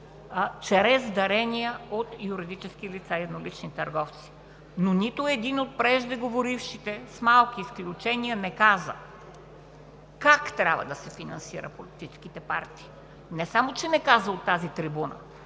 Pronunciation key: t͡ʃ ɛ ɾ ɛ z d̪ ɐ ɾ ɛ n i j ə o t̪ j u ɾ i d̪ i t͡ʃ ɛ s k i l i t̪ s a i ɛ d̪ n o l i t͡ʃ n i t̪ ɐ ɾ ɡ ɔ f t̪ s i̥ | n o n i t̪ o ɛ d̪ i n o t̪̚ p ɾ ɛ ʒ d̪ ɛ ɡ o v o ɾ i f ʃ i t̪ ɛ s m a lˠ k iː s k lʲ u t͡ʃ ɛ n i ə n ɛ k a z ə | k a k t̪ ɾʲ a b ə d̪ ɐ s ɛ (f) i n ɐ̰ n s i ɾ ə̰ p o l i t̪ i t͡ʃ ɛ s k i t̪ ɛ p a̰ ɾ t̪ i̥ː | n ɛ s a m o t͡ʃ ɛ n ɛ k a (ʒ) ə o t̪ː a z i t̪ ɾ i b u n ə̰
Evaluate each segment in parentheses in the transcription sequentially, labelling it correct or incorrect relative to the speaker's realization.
correct, incorrect: z

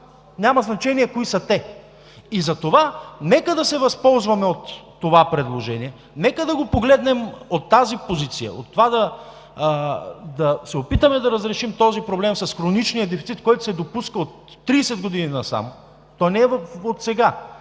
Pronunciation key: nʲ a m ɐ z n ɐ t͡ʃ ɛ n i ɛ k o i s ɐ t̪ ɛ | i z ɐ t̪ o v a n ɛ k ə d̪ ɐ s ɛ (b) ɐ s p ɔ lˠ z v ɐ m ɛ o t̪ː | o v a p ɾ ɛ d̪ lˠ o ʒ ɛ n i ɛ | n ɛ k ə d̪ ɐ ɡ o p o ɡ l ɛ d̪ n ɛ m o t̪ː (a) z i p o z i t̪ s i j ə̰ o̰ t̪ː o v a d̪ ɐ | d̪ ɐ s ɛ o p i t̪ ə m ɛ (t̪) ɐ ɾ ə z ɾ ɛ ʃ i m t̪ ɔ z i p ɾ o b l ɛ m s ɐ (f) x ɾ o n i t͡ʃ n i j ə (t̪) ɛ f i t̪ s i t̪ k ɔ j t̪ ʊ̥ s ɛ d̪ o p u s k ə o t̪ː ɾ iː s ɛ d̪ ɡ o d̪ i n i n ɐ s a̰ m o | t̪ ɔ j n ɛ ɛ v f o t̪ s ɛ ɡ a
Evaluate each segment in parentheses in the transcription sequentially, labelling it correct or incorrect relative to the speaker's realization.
incorrect: v, correct, incorrect: d̪, incorrect: s, incorrect: d̪

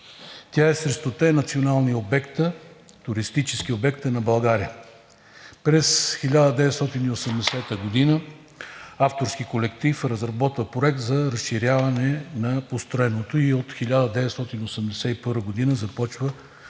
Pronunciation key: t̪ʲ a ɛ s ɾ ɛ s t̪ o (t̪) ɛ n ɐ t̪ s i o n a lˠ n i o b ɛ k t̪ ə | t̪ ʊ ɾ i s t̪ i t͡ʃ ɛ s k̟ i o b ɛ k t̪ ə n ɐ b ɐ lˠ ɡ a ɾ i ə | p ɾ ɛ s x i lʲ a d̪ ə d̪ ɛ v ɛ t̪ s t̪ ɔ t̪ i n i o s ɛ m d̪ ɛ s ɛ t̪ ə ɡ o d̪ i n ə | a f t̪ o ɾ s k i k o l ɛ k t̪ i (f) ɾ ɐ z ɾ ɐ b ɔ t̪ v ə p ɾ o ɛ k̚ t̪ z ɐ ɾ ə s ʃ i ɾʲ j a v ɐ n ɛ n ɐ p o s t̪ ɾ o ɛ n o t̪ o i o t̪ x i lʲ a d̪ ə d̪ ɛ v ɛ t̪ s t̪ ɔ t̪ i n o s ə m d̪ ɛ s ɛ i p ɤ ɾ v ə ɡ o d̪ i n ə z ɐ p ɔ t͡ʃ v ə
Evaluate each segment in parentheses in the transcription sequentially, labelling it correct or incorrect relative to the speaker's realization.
correct, correct

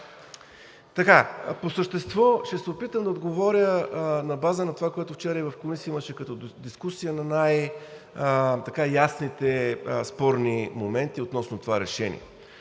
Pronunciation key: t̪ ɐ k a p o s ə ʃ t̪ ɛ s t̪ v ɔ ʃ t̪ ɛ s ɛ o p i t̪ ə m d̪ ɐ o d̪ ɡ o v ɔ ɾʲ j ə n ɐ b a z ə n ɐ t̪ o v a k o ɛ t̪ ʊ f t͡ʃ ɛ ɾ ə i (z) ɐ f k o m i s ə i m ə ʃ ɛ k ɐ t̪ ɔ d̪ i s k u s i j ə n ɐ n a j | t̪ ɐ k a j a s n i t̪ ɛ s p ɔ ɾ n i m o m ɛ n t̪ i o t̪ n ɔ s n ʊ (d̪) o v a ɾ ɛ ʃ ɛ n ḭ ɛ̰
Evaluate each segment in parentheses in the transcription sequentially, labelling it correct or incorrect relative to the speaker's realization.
incorrect: v, incorrect: t̪

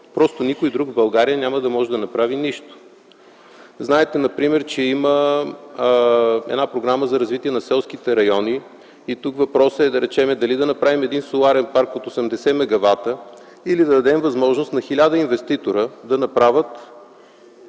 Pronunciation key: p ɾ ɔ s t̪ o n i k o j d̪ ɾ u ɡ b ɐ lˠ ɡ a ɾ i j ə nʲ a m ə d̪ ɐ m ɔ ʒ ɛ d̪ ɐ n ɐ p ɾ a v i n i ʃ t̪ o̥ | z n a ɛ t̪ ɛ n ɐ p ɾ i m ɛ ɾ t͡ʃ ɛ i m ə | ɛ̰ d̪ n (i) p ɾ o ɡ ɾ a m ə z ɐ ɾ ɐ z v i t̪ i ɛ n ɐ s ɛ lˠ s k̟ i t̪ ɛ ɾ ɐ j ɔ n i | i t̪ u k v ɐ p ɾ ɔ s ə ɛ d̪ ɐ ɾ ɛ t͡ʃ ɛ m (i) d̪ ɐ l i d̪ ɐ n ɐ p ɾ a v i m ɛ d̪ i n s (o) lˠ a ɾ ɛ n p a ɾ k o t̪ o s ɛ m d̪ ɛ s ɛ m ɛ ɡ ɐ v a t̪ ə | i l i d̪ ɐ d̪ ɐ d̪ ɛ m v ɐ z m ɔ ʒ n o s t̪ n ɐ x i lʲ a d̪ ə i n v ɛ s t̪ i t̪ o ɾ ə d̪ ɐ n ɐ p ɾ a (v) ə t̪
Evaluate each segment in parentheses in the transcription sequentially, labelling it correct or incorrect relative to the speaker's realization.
incorrect: a, incorrect: ɛ, correct, correct

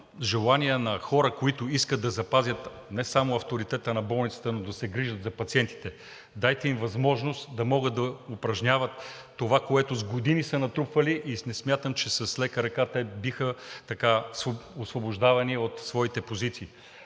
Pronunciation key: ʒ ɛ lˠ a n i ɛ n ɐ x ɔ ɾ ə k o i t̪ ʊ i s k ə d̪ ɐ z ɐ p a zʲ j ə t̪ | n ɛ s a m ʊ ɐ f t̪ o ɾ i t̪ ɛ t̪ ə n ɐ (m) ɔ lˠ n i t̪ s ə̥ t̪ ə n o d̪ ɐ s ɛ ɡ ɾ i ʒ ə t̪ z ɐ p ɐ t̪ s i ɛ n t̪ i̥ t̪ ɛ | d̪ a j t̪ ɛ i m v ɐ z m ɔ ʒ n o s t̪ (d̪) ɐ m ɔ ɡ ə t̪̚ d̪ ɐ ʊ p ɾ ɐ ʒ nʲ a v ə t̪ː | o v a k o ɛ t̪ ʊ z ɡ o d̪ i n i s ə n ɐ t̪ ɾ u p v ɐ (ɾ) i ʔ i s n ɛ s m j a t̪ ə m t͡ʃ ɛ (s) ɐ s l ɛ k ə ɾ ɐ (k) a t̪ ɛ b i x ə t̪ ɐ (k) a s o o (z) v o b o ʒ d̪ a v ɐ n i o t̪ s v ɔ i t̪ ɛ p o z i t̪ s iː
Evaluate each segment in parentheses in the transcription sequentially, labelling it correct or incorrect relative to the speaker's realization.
incorrect: b, correct, incorrect: l, correct, correct, correct, incorrect: s

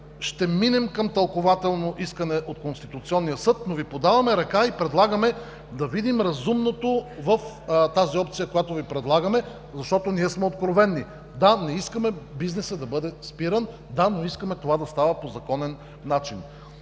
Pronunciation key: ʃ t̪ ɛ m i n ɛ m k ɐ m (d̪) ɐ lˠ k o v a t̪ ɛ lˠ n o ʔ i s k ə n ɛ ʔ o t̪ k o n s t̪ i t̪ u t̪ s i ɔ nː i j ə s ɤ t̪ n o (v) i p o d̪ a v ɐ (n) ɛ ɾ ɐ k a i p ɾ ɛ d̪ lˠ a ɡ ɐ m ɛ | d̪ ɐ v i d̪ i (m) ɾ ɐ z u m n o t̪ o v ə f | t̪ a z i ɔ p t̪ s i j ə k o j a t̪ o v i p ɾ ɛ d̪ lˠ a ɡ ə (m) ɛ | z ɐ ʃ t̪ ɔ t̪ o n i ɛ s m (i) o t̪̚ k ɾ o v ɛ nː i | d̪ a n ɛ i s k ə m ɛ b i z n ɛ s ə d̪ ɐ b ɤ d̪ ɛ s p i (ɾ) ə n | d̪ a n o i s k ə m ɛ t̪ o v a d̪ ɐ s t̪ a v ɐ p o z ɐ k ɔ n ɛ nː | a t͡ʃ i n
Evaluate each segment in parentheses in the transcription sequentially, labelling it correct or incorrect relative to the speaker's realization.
incorrect: t̪, correct, incorrect: m, correct, correct, incorrect: ɛ, correct

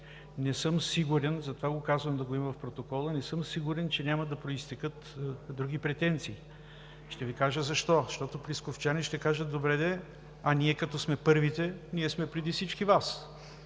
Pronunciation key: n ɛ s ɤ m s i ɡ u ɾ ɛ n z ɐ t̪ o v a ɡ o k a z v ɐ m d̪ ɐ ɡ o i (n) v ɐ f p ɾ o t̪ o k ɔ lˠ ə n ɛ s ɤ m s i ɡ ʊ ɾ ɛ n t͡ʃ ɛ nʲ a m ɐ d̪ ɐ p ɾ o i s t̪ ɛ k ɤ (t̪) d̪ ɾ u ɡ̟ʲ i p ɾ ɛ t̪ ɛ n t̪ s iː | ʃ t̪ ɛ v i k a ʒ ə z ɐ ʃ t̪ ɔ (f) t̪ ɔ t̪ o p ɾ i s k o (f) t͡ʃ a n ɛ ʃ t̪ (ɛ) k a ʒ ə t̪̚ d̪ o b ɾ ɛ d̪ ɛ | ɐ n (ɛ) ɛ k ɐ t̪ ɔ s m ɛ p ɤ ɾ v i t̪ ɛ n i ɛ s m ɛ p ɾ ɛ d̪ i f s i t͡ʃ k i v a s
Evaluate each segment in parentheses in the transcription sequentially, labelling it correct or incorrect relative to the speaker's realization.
incorrect: m, correct, incorrect: ʃ, correct, correct, incorrect: i

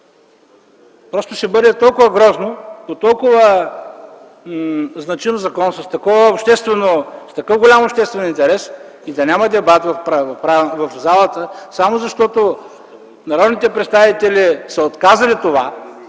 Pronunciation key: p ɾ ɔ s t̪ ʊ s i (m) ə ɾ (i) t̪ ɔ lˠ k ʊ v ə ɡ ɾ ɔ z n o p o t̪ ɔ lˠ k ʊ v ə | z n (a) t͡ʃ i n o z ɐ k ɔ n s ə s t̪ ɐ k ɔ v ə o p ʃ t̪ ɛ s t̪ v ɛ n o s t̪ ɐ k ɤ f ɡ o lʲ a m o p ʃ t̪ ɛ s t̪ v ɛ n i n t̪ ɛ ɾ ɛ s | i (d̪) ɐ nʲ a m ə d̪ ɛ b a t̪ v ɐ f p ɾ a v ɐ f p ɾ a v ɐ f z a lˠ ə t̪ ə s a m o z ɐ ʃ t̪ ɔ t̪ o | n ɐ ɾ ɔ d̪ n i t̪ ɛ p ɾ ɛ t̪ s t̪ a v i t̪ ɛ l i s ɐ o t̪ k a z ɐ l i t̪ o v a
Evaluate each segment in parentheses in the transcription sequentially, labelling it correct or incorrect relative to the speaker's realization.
incorrect: b, incorrect: ɛ, incorrect: ɐ, correct

